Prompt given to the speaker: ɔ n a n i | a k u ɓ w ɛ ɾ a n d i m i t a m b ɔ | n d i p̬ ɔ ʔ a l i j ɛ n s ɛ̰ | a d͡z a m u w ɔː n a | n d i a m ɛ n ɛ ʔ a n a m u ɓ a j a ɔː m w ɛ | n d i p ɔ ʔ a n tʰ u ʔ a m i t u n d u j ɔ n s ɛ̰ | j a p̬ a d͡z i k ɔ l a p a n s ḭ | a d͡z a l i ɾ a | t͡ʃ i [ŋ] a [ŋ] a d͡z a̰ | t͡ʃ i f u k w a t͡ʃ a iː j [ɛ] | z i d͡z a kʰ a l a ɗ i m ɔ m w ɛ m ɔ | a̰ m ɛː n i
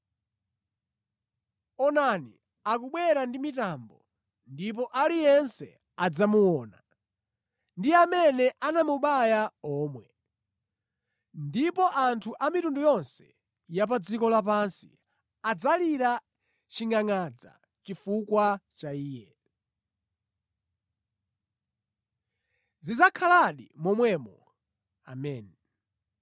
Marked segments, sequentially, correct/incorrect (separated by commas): correct, correct, correct